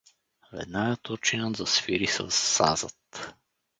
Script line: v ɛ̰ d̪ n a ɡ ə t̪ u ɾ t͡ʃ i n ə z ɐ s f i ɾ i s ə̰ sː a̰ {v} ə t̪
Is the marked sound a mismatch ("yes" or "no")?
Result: yes